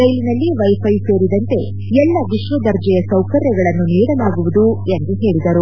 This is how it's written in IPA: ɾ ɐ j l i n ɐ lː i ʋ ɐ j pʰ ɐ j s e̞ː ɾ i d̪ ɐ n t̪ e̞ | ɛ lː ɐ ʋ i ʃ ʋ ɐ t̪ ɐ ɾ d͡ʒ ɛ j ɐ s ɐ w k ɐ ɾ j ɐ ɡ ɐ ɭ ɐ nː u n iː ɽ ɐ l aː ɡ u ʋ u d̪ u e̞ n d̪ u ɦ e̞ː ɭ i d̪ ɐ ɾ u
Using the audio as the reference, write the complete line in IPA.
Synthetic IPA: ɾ ɐ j l i n ɐ lː i ʋ ɐ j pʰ ɐ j s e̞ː ɾ i d̪ ɐ n t̪ e̞ | ɛ lː ɐ ʋ i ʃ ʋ ɐ d̪ ɐ ɾ d͡ʒ ɛ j ɐ s ɐ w k ɐ ɾ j ɐ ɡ ɐ ɭ ɐ nː u n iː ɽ ɐ l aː ɡ u ʋ u d̪ u e̞ n d̪ u ɦ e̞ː ɭ i d̪ ɐ ɾ u